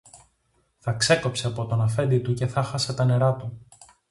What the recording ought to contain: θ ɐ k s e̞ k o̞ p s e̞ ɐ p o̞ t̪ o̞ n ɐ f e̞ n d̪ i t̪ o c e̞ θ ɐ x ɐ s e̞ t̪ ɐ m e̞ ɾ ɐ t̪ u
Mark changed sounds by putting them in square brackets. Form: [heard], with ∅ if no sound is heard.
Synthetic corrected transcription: θ ɐ k s e̞ k o̞ p s e̞ ɐ p o̞ t̪ o̞ n ɐ f e̞ n d̪ i t̪ [u] c e̞ θ ɐ x ɐ s e̞ t̪ ɐ [n] e̞ ɾ ɐ t̪ u